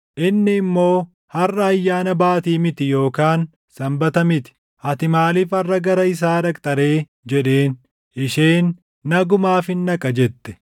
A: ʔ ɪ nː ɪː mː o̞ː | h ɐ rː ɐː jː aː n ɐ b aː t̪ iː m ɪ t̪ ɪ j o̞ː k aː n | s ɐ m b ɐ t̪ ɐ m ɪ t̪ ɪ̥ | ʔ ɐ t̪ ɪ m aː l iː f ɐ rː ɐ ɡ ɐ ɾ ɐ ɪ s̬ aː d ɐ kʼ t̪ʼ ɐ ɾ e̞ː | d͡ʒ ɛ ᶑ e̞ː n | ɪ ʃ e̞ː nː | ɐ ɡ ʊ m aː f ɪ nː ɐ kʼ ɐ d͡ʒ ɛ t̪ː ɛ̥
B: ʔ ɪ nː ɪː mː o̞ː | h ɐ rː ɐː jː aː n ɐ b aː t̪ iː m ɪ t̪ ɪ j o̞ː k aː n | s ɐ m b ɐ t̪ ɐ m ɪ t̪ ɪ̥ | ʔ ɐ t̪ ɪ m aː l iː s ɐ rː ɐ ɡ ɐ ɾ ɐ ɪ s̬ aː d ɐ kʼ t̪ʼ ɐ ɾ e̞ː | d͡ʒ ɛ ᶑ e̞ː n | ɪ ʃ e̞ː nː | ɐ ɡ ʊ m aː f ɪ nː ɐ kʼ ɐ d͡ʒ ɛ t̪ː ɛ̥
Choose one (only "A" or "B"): A